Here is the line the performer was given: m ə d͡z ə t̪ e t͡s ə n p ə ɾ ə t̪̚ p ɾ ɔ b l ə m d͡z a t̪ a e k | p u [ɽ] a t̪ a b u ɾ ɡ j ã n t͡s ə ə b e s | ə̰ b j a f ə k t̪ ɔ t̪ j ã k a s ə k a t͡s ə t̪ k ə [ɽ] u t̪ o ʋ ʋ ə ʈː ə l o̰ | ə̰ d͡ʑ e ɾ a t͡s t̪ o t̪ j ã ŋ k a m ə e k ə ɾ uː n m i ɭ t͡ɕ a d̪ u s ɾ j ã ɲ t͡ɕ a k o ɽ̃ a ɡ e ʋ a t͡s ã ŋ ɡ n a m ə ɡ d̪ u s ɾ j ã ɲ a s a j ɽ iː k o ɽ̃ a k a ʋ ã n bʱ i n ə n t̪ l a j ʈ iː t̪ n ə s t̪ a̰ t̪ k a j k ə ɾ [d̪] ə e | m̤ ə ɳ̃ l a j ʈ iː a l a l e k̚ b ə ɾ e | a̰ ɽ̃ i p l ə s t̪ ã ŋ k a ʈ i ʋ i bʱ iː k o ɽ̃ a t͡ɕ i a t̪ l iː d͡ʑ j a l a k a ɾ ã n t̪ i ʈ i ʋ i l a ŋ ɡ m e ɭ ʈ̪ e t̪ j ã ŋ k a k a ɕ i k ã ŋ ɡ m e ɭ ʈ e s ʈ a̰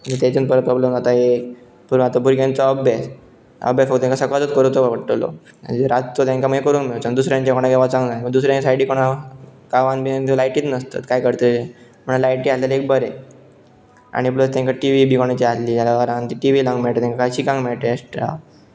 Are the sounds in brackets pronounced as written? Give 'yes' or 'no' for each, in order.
no, no, no

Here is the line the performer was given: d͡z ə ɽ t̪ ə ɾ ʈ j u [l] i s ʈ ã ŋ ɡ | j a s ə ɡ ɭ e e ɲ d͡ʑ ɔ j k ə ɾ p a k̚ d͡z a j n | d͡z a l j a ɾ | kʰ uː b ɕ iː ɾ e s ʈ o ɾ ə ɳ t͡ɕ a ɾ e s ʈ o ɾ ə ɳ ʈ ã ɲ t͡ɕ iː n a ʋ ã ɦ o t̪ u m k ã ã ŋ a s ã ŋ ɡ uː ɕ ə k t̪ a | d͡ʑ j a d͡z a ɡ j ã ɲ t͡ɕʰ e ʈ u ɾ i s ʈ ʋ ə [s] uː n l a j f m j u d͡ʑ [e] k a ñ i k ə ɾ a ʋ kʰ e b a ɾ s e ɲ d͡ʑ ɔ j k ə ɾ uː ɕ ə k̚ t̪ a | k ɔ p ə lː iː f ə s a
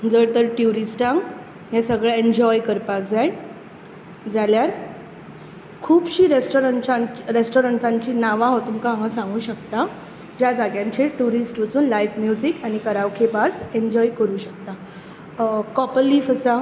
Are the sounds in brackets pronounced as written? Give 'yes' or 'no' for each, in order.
no, no, no

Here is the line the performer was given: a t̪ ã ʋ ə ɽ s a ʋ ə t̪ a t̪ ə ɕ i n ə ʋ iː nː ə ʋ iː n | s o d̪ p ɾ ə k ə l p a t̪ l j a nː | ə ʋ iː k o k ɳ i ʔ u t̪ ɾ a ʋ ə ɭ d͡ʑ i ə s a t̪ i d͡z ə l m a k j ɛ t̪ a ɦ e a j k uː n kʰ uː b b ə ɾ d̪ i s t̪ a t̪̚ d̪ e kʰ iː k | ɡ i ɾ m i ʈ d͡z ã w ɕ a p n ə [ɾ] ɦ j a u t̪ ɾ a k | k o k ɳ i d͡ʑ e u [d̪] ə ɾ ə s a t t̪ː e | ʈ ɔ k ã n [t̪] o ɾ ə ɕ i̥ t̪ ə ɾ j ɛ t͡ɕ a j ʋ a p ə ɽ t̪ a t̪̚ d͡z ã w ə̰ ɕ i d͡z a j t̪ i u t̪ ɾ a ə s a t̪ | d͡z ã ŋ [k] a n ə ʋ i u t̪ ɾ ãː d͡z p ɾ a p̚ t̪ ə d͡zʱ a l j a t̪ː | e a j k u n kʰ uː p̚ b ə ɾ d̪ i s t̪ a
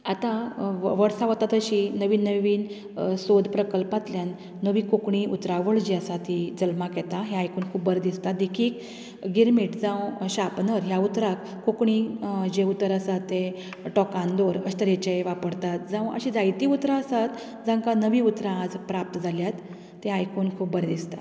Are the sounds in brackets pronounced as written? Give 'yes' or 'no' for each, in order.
yes, no, no, yes

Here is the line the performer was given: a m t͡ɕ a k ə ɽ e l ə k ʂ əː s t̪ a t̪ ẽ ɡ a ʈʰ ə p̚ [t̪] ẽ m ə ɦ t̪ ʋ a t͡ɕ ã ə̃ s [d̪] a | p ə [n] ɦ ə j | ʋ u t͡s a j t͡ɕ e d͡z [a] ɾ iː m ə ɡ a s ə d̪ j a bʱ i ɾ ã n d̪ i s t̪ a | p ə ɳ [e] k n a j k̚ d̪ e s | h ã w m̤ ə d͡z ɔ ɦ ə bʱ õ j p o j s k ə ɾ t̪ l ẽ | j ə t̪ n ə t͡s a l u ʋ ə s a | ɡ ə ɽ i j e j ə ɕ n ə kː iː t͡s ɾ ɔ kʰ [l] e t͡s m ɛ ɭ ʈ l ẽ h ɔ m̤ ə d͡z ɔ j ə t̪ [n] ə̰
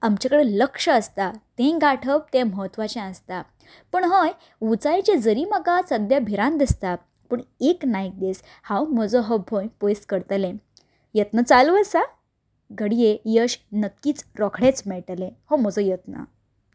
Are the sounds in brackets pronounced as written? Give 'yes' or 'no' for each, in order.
yes, no, no, no, yes, no, yes

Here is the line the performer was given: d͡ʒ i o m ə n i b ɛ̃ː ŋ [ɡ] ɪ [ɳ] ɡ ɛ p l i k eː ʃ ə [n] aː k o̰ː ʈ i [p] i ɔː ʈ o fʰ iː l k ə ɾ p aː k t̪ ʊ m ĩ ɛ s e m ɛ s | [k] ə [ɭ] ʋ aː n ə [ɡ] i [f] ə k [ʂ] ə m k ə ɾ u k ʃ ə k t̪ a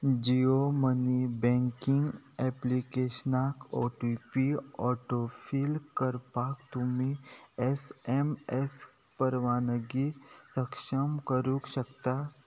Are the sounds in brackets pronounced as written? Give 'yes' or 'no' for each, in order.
no, no, yes, yes, no, no, yes, no, no

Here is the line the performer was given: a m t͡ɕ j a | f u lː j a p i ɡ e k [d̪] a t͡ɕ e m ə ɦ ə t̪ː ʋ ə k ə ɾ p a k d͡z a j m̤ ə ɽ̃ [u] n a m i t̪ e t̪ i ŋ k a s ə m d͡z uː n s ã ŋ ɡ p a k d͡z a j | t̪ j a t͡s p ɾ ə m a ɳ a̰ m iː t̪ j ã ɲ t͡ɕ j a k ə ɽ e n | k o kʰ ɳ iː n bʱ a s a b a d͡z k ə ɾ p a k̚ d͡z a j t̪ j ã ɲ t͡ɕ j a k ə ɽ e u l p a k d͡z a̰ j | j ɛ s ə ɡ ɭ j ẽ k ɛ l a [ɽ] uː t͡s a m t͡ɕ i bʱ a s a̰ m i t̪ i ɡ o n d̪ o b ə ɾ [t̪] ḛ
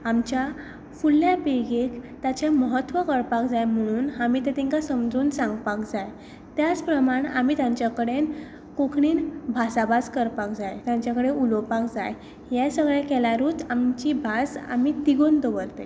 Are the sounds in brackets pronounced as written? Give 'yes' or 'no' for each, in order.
no, no, no, yes

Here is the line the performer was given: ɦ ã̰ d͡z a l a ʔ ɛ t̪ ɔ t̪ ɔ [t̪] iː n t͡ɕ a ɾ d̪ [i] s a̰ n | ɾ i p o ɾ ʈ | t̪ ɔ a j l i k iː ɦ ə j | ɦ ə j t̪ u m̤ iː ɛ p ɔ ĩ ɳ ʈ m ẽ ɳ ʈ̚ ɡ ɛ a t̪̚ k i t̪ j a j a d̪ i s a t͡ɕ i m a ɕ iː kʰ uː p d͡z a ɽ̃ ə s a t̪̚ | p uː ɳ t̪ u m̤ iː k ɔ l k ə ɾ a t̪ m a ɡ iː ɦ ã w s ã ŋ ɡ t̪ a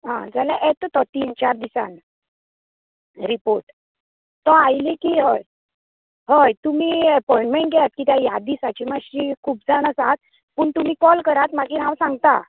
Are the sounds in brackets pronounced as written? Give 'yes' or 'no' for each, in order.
yes, yes

